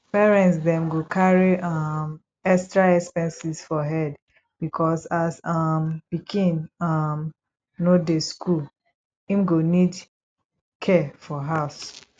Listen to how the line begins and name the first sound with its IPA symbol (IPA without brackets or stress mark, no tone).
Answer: p